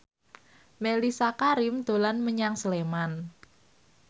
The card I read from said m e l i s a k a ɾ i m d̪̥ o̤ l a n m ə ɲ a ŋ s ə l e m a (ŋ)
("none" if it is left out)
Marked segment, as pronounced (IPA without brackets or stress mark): n